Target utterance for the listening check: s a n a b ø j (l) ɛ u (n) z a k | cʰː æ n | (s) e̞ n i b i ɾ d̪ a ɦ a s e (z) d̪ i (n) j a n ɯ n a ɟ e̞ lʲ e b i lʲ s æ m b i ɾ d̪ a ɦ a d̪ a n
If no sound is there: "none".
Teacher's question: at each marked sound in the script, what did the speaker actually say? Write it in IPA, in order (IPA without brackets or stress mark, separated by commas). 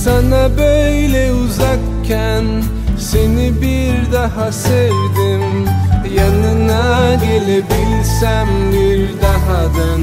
l, none, s, v, m